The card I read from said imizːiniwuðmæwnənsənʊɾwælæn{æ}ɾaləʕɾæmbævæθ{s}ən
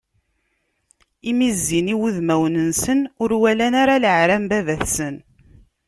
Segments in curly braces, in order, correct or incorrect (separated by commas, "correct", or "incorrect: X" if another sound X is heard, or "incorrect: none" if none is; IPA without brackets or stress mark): incorrect: a, correct